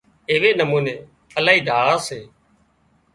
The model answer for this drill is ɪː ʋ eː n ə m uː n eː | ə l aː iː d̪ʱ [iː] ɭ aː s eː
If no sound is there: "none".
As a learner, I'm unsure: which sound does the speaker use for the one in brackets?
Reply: aː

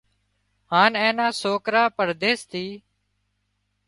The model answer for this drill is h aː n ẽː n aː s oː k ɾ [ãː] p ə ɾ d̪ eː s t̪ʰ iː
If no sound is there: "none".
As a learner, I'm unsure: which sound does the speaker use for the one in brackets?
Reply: aː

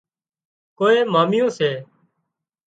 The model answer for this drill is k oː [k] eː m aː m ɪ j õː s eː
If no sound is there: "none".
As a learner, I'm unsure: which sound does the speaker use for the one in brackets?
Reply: none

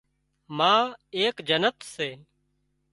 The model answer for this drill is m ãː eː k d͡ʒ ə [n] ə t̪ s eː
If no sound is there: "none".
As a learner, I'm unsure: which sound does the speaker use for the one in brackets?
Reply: n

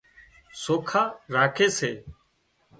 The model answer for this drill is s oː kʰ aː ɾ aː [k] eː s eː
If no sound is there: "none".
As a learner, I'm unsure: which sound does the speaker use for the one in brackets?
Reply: kʰ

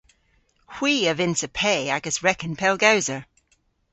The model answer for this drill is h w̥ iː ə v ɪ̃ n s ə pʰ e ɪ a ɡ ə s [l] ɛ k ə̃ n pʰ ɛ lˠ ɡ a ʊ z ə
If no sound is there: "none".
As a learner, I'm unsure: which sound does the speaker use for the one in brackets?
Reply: ɹ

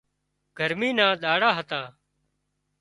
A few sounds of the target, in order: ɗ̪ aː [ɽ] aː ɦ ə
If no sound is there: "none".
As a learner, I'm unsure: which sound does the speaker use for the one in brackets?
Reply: ɽ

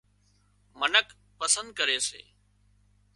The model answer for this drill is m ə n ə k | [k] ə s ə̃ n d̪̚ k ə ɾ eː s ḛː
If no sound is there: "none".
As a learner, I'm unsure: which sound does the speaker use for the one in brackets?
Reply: p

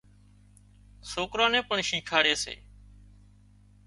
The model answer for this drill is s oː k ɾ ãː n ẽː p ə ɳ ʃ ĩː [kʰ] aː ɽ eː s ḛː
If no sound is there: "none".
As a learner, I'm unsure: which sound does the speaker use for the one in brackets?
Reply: kʰ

